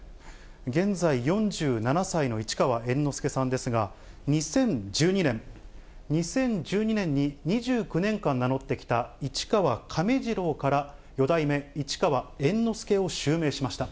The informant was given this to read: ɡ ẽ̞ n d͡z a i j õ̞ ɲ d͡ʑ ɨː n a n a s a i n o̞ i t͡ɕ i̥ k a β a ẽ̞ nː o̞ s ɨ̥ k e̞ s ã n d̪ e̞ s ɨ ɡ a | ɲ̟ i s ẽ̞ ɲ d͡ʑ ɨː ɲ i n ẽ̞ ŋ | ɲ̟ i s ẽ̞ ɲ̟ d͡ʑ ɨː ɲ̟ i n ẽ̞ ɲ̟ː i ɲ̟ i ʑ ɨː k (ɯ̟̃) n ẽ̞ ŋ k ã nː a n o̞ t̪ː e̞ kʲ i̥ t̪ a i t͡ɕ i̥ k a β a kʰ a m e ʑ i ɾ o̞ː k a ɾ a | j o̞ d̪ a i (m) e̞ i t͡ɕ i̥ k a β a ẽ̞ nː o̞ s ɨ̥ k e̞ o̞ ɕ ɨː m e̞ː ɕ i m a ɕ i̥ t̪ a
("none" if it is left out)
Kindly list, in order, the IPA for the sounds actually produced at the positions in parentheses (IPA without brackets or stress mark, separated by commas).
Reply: ɯ̟, m